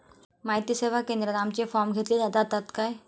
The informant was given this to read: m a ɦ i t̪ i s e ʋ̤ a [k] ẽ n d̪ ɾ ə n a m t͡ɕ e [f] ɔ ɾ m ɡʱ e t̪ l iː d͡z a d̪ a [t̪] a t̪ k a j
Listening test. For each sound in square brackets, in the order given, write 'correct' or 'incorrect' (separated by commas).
correct, correct, correct